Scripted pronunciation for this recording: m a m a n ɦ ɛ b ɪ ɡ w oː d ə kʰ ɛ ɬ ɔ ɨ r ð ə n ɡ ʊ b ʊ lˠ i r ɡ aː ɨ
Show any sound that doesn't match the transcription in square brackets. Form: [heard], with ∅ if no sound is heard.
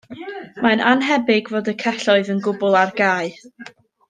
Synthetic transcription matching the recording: m a [n] a n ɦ ɛ b ɪ ɡ [v] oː d ə kʰ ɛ ɬ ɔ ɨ [∅] ð ə n ɡ ʊ b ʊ lˠ [a] r ɡ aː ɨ